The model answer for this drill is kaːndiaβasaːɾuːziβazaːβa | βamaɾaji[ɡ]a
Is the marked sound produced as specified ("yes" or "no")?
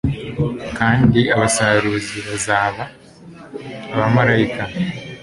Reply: no